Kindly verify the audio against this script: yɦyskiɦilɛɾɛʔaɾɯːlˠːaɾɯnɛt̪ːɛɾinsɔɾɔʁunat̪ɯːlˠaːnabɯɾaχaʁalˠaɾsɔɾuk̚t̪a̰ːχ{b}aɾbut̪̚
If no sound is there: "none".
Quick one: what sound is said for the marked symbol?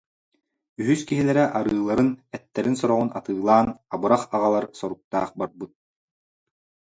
b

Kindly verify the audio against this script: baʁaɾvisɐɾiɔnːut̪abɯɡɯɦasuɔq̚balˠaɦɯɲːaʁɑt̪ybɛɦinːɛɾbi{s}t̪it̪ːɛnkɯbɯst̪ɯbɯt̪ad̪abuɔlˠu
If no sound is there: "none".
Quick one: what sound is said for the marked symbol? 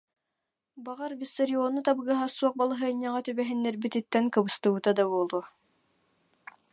none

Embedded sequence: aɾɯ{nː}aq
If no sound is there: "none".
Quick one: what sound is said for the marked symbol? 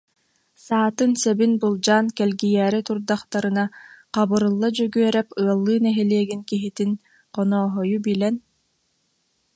n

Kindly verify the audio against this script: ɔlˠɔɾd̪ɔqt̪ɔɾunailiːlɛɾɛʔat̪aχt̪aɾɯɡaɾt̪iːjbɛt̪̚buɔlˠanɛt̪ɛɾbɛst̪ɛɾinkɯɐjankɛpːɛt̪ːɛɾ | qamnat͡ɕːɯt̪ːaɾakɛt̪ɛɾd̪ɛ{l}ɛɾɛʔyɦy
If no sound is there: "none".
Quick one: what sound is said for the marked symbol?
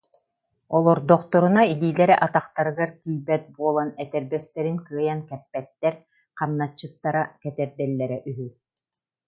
lː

